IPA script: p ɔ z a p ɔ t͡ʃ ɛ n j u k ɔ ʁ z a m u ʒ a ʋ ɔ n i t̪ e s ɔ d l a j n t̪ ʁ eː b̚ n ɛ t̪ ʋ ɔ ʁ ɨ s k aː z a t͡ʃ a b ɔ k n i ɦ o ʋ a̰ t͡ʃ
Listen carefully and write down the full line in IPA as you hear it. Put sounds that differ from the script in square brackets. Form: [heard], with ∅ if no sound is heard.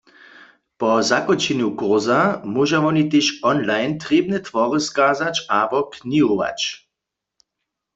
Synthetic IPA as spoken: p ɔ z a [k] ɔ t͡ʃ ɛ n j u k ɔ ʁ z a m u ʒ a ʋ ɔ n i t̪ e [ʃ] ɔ [n] l a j n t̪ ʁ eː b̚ n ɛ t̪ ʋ ɔ ʁ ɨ s k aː z a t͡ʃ a b ɔ k n i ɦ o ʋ a̰ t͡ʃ